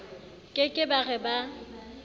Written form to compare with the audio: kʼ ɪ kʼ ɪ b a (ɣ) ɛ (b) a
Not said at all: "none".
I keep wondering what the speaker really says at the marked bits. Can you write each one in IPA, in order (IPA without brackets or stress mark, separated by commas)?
ɣ, b